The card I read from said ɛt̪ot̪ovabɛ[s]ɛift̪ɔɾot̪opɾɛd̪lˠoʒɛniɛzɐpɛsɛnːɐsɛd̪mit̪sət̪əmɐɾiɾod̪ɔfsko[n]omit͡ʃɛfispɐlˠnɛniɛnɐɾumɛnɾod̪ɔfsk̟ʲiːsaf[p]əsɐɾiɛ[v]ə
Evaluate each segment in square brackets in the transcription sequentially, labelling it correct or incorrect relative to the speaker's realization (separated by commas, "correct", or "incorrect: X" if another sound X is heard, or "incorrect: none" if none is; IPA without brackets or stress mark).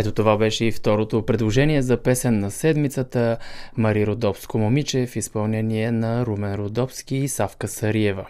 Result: incorrect: ʃ, incorrect: m, incorrect: k, correct